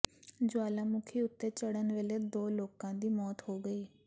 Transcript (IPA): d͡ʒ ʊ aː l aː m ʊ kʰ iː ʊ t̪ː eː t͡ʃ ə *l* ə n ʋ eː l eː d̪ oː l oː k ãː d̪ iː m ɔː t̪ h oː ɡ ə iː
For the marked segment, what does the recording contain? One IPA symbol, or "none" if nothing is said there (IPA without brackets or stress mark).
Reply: ɽ